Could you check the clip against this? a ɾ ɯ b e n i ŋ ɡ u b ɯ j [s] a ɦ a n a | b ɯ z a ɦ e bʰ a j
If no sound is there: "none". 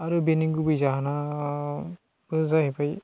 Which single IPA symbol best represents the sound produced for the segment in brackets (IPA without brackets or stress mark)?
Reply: z